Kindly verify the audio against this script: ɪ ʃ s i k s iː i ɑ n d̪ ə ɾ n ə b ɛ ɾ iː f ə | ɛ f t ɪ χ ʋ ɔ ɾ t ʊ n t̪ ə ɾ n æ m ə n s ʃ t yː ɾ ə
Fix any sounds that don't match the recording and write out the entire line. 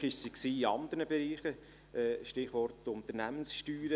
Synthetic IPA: ɪ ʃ s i k s iː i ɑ n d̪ ə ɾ n ə b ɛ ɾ iː χ ə | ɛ ʃ t ɪ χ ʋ ɔ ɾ t ʊ n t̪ ə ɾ n æ m ə n s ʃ t yː ɾ ə